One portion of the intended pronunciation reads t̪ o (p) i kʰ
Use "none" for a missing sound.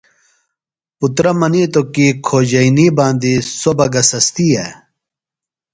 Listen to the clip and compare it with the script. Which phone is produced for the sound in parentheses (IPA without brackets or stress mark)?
k